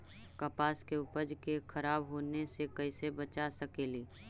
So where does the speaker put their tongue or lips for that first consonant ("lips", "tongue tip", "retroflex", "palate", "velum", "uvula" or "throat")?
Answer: velum